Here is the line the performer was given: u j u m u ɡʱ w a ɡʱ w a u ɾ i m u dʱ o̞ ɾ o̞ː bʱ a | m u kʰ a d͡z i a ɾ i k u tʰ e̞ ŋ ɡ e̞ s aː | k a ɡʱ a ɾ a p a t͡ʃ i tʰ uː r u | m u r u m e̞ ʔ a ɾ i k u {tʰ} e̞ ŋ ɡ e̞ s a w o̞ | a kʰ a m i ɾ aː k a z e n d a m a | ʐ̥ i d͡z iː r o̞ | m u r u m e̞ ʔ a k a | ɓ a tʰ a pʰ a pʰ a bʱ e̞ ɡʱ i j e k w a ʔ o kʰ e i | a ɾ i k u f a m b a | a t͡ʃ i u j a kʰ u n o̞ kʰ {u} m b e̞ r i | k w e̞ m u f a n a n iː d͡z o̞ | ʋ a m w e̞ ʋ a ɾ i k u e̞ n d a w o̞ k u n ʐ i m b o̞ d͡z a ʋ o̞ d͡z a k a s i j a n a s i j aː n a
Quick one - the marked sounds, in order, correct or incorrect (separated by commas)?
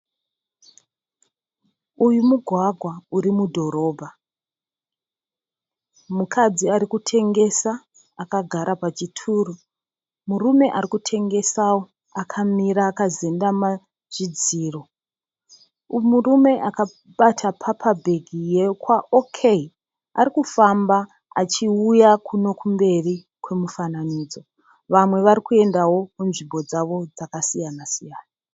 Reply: correct, correct